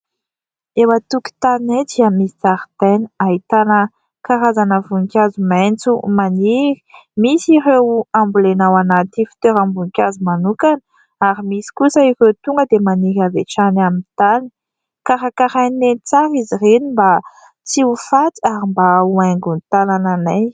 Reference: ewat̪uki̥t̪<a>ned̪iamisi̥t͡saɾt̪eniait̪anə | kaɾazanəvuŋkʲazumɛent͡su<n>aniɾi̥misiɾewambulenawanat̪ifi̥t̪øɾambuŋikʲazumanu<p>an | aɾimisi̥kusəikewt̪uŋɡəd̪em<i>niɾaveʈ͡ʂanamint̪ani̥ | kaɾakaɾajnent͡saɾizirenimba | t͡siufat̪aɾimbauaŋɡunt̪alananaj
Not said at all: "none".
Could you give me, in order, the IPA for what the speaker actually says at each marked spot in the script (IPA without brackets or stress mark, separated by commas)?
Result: a, m, k, a